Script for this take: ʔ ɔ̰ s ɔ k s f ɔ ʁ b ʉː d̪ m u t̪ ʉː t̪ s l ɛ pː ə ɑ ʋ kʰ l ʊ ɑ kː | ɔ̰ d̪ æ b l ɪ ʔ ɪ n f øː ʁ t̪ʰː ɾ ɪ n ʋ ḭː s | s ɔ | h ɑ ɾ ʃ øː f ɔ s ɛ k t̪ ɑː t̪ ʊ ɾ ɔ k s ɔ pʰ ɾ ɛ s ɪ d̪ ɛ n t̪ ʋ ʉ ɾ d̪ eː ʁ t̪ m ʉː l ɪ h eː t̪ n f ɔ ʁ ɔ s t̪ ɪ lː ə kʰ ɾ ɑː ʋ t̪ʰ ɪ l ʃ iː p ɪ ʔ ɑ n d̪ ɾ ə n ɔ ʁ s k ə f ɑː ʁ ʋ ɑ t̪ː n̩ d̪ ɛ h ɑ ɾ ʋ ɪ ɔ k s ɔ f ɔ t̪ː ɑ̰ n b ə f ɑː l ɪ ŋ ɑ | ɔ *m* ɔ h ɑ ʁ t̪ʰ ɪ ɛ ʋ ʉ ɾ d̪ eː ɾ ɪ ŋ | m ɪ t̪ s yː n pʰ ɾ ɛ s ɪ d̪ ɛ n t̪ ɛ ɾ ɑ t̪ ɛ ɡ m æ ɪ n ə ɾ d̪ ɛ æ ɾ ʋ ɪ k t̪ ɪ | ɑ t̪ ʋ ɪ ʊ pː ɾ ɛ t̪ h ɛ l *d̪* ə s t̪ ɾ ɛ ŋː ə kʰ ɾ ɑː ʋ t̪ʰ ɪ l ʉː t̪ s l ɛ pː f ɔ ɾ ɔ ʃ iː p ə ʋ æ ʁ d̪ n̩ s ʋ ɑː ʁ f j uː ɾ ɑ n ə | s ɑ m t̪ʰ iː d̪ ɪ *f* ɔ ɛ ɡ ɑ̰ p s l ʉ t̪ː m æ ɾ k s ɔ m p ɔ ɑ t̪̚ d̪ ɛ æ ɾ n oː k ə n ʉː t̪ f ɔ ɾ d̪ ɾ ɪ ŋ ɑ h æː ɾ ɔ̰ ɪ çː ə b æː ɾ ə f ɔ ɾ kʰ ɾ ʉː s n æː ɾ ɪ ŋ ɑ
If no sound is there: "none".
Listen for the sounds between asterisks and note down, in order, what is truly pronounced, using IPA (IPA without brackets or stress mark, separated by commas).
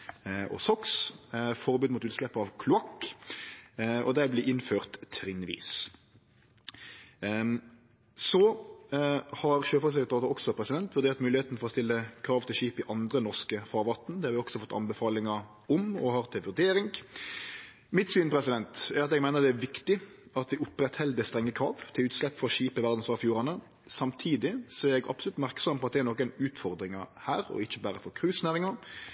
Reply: m, d̪, s